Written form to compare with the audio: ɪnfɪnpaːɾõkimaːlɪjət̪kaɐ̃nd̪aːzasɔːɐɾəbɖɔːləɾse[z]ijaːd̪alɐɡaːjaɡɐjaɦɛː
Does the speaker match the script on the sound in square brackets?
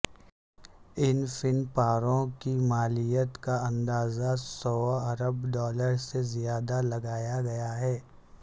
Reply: yes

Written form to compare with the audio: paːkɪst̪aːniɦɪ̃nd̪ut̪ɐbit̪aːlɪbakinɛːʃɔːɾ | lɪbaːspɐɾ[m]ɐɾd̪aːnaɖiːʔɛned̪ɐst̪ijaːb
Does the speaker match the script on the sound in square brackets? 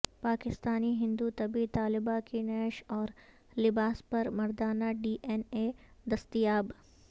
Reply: yes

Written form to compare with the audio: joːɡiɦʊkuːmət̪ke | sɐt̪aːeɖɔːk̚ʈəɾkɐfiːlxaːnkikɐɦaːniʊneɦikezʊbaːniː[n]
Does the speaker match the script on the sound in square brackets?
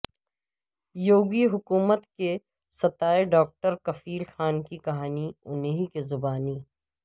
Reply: no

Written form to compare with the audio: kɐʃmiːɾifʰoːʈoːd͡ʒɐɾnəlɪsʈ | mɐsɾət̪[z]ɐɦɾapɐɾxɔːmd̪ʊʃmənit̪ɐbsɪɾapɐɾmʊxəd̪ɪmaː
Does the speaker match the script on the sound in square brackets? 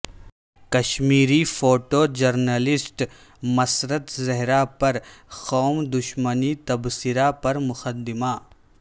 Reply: yes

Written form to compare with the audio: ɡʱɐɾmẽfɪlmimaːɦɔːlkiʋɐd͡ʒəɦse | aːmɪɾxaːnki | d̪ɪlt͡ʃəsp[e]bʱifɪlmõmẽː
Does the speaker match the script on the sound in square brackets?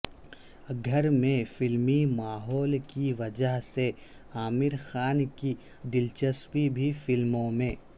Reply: no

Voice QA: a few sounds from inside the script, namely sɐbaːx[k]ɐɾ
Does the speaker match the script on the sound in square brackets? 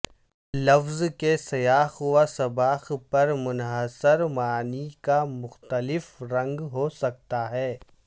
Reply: no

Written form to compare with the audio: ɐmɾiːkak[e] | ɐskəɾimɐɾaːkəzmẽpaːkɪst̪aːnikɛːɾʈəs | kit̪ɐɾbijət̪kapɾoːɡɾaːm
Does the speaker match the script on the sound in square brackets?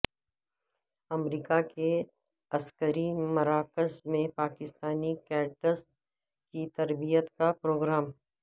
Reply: yes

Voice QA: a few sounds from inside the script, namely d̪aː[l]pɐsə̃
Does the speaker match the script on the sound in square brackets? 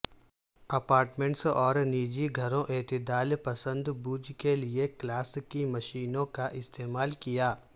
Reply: yes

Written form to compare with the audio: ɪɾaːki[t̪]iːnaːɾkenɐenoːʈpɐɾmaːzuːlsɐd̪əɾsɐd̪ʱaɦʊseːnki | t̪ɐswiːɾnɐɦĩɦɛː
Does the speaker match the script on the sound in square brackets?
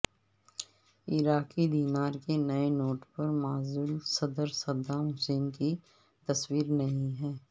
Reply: no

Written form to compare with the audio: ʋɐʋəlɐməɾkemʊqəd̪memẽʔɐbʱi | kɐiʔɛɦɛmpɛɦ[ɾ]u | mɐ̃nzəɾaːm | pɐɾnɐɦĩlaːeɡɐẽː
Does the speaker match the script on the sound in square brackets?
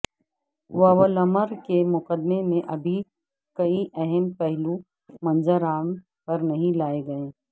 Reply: no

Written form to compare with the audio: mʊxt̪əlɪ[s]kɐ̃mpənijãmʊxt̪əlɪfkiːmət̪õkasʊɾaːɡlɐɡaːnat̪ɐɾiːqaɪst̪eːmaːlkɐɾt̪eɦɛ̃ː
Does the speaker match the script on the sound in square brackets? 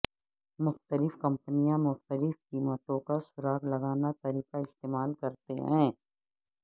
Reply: no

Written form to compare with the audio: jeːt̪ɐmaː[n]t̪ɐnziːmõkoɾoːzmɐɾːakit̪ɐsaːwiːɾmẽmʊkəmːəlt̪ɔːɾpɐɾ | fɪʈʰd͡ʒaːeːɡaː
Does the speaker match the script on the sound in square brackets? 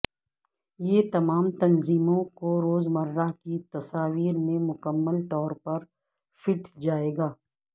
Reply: no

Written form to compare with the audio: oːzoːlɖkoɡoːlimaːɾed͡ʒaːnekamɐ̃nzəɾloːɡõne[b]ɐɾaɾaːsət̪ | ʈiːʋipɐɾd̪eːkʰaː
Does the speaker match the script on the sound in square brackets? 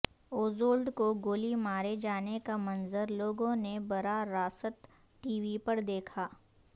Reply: yes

